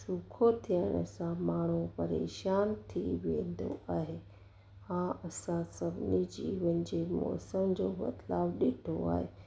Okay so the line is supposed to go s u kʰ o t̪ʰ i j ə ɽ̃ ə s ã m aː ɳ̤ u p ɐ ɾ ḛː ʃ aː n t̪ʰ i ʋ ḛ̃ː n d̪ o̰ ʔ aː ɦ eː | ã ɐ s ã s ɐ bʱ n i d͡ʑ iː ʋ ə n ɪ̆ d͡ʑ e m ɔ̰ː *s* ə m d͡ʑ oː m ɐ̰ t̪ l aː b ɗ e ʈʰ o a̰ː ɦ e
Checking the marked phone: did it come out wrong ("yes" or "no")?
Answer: no